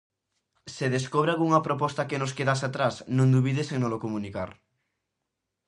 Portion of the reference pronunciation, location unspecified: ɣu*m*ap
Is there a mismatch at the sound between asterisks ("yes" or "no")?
yes